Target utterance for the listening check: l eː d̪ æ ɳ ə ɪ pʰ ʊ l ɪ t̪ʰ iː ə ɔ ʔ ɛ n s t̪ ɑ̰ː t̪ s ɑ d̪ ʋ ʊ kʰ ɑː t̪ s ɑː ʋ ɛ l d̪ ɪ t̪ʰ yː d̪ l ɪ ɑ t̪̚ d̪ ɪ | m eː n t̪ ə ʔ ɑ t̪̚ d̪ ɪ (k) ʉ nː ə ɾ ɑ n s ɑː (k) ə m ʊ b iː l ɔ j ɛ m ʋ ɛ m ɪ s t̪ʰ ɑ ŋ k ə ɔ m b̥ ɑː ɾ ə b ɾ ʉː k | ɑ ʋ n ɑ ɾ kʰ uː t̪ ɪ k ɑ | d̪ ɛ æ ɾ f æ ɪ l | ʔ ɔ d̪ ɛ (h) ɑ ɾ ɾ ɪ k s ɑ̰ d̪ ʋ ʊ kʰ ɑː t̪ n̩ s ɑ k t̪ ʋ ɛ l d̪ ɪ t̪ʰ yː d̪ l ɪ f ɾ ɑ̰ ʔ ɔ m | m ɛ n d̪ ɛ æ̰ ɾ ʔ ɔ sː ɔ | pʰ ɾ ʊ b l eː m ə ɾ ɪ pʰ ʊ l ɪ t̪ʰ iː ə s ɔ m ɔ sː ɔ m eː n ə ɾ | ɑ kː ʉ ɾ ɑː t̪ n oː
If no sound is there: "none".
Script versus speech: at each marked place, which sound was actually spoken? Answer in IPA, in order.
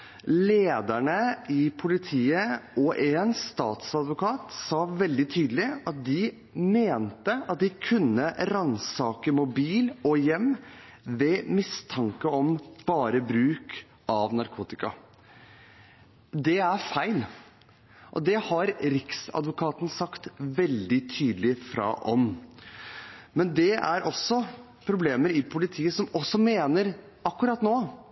kʰ, k, h

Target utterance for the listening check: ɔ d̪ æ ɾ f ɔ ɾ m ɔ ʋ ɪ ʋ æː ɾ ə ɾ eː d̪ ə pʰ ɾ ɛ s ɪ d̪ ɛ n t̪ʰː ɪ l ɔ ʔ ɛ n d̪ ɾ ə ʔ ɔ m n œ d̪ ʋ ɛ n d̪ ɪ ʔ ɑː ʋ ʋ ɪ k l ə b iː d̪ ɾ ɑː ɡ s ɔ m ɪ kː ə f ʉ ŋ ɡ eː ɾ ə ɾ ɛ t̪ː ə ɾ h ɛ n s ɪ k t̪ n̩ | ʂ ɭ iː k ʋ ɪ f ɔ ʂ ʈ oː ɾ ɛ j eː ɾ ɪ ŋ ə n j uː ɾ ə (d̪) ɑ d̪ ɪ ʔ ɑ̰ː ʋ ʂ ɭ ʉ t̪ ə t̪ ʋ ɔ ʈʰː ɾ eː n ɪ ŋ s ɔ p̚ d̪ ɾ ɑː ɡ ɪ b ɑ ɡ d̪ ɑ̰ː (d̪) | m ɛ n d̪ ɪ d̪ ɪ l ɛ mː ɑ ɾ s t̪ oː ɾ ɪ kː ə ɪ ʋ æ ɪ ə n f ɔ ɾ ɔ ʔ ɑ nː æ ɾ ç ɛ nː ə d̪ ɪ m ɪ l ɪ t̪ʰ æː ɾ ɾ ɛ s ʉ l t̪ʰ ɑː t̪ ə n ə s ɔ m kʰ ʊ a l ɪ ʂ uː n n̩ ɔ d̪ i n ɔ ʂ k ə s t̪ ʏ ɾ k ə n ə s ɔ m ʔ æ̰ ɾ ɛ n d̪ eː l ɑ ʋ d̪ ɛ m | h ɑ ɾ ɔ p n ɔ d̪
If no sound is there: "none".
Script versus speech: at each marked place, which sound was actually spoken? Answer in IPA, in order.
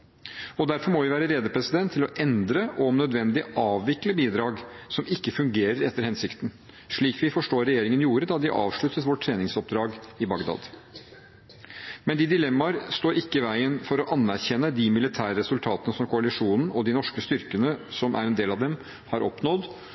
d̪, d̪

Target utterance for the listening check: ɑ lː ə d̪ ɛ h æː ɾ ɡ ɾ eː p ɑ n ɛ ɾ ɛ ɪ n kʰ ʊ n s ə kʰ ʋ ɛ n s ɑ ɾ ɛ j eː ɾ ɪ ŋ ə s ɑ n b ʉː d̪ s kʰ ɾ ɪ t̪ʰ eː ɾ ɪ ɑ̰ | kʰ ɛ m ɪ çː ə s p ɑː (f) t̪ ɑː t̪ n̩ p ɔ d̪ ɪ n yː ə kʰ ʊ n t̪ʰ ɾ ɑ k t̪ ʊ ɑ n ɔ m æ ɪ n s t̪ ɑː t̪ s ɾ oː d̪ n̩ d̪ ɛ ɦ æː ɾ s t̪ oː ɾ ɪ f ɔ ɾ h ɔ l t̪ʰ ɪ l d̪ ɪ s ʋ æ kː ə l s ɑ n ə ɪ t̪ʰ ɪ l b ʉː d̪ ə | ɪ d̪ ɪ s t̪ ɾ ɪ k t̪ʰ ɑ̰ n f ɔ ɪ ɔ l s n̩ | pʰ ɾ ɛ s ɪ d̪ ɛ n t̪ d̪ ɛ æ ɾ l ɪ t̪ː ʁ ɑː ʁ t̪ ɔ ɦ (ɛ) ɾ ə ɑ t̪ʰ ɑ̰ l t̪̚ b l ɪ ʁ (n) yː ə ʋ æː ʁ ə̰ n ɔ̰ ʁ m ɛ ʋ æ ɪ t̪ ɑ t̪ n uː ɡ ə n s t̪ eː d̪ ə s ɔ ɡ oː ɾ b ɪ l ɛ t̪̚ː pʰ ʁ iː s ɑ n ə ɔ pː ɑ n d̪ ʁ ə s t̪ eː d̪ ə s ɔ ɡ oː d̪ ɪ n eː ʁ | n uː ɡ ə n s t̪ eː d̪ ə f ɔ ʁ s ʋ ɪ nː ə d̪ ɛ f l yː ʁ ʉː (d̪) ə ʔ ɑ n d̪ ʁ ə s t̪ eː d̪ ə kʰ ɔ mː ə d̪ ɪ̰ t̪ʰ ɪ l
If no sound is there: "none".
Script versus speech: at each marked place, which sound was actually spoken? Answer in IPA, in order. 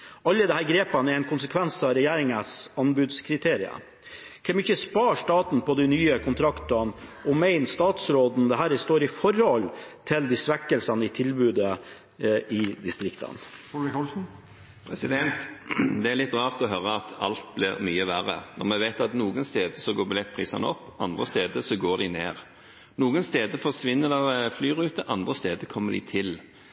ʂ, œ, m, t̪

